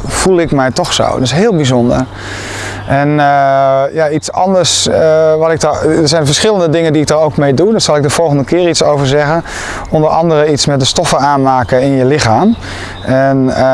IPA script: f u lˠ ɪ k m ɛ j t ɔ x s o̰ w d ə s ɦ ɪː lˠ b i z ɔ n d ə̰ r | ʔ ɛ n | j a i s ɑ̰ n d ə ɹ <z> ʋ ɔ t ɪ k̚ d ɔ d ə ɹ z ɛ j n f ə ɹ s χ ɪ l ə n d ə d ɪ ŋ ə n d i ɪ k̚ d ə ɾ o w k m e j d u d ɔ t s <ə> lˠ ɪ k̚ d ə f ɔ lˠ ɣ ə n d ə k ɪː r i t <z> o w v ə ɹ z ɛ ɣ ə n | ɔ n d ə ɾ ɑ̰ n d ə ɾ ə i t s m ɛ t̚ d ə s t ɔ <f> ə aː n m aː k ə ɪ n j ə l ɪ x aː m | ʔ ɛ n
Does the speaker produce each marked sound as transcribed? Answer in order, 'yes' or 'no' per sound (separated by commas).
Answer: no, no, no, yes